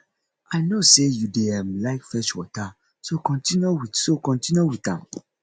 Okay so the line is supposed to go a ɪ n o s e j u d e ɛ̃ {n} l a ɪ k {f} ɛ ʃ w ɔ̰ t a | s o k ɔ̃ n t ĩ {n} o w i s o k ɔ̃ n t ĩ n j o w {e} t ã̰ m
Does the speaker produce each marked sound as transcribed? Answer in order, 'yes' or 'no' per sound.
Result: no, yes, yes, no

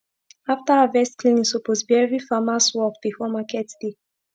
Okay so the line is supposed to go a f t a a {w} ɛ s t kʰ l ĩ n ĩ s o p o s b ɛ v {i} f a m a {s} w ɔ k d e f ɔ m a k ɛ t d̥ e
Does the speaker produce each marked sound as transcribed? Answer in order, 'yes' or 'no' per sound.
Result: no, yes, yes

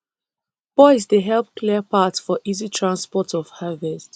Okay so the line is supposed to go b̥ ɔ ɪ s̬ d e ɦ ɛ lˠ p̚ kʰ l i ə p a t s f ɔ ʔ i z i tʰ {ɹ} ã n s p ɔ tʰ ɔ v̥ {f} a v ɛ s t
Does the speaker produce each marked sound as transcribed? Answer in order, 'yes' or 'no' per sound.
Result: yes, no

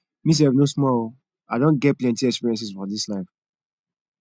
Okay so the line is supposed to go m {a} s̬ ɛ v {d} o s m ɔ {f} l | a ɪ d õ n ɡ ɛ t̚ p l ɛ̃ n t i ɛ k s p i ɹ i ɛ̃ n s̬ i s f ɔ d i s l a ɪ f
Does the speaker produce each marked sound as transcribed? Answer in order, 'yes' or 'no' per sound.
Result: no, no, no

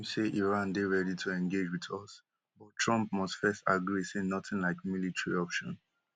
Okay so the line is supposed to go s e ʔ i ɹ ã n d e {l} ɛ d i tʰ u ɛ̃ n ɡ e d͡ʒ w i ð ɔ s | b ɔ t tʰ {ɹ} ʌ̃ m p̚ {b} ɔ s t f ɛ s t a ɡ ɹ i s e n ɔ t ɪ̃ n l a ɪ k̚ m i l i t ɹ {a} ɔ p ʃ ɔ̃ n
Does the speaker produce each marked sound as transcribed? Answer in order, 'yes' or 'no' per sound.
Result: no, yes, no, no

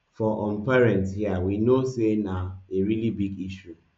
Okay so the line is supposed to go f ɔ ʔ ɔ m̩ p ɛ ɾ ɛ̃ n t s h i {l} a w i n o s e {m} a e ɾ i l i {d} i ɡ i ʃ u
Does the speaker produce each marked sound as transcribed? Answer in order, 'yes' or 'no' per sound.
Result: no, no, no

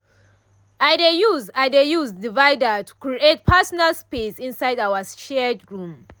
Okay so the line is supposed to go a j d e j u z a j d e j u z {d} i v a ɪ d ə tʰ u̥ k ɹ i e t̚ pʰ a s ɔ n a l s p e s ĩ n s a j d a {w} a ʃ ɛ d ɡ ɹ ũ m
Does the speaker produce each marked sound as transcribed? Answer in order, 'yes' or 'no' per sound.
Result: yes, yes

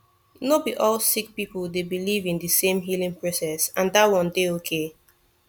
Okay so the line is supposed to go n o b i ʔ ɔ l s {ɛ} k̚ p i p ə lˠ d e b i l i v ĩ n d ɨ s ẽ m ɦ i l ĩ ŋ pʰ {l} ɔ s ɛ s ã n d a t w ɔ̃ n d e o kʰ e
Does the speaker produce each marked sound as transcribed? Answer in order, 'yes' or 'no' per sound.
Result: no, no

